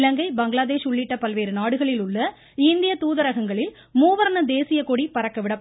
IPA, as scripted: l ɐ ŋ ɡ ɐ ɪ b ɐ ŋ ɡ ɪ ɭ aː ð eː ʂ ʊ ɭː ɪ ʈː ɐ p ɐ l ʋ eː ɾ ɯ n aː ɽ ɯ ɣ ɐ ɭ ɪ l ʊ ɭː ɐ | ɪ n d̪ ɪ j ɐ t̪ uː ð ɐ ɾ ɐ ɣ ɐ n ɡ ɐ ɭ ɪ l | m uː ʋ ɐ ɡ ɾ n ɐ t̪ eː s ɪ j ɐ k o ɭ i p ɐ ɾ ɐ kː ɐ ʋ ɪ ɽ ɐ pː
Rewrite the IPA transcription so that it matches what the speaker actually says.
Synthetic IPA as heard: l ɐ ŋ ɡ ɐ ɪ b ɐ ŋ ɡ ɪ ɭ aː ð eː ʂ ʊ ɭː ɪ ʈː ɐ p ɐ l ʋ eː ɾ ɯ n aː ɽ ɯ ɣ ɐ ɭ ɪ l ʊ ɭː ɐ | ɪ n d̪ ɪ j ɐ t̪ uː ð ɐ ɾ ɐ ɣ ɐ ŋ ɡ ɐ ɭ ɪ l | m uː ʋ ɐ ɾ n ɐ d̪ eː s ɪ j ɐ k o ɽ i p ɐ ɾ ɐ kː ɐ ʋ ɪ ɽ ɐ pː